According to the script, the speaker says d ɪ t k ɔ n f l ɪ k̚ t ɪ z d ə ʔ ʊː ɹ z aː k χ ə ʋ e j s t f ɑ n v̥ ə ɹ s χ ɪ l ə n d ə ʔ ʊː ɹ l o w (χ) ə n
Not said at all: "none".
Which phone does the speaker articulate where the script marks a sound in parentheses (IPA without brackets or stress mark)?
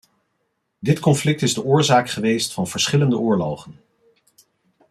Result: χ